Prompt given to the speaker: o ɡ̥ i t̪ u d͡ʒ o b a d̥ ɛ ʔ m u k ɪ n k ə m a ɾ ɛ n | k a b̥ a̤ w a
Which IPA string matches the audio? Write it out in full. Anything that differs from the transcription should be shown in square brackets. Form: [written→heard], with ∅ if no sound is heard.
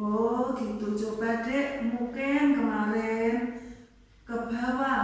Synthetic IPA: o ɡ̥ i t̪ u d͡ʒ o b a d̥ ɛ ʔ m u k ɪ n k ə m a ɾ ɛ n | k [a→ə] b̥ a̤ w a